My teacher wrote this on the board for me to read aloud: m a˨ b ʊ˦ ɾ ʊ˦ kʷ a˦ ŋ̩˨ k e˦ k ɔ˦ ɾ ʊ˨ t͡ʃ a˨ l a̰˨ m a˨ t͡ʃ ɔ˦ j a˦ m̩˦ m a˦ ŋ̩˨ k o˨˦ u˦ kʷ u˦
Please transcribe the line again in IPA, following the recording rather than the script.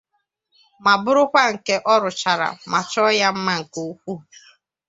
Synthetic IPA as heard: m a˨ b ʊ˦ ɾ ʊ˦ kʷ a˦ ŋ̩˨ k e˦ ʔ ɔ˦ ɾ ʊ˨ t͡ʃ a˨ ɾ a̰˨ m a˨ t͡ʃ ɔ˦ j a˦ m̩˦ m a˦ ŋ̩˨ k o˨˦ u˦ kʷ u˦